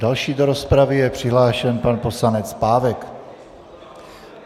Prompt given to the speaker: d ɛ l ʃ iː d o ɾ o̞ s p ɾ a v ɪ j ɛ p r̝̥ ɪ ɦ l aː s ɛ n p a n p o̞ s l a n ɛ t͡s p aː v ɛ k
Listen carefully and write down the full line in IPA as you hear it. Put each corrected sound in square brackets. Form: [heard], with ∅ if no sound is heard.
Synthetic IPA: d [a] l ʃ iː d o ɾ o̞ s p ɾ a v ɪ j ɛ p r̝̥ ɪ ɦ l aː [ʃ] ɛ n p a n p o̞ s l a n ɛ t͡s p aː v ɛ k